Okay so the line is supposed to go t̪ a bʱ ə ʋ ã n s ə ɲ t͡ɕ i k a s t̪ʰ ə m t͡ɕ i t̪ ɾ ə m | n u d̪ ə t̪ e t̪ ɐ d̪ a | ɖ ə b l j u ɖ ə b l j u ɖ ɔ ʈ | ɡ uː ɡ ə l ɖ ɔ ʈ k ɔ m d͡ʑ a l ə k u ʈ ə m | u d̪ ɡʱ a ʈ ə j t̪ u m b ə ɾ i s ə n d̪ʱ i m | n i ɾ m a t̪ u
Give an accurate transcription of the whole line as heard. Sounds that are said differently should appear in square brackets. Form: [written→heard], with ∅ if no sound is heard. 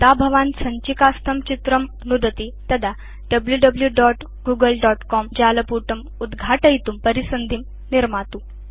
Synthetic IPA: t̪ a bʱ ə ʋ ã n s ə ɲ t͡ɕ i k a s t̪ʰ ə m t͡ɕ i t̪ ɾ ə m | n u d̪ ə t̪ [e→i] t̪ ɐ d̪ a | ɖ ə b l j u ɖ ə b l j u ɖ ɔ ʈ | ɡ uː ɡ ə l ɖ ɔ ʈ k ɔ m d͡ʑ a l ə [k→p] u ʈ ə m | u d̪ ɡʱ a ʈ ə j t̪ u m [b→p] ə ɾ i s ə n d̪ʱ i m | n i ɾ m a t̪ u